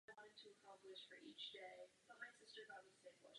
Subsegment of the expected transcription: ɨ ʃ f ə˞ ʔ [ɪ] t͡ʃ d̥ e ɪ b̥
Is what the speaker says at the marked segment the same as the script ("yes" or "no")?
no